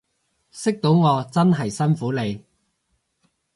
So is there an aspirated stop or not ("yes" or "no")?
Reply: no